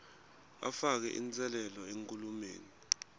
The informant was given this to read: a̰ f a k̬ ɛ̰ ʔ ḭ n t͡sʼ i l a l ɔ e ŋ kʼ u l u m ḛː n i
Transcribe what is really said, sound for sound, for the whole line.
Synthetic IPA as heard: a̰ f a k̬ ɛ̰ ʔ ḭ n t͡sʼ ɛ l ɛ l ɔ e ŋ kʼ u l u m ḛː n i